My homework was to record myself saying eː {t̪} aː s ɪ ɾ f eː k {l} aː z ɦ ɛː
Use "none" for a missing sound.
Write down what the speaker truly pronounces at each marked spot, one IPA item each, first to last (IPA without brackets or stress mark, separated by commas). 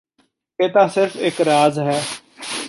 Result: t̪, ɾ